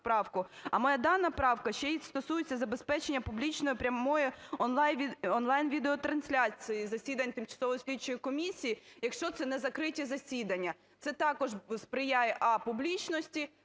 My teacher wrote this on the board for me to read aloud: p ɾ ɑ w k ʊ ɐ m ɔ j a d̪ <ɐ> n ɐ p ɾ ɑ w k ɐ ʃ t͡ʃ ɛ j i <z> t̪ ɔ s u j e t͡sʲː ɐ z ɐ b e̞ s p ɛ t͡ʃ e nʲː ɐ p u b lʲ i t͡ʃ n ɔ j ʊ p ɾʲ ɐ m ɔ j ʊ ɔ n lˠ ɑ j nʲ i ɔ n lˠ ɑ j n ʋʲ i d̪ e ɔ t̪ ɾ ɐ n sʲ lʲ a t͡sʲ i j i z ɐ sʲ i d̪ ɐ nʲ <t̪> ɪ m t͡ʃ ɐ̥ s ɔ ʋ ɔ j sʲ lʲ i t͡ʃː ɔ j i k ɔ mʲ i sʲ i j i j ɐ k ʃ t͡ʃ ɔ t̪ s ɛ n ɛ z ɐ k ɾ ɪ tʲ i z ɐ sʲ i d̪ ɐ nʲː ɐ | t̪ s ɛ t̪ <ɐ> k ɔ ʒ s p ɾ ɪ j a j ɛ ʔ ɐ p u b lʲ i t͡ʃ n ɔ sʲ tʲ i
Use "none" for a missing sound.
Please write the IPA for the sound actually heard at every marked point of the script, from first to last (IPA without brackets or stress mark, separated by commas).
ɑ, s, t̪, ɑ